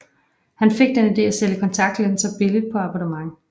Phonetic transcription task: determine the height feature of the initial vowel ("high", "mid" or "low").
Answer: low